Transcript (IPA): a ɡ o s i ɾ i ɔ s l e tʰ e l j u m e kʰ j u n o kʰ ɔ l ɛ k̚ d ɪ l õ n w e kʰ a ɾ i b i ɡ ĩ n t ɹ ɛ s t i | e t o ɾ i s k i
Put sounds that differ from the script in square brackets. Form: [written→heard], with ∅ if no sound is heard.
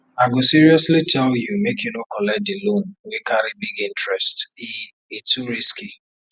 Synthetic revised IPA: a ɡ o s i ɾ i ɔ s l [e→i] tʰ [e→ɛ] l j u m e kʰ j u n o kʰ ɔ l ɛ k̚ d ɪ l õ n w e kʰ a ɾ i b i ɡ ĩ n t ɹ ɛ s t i | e t [o→u] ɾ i s k i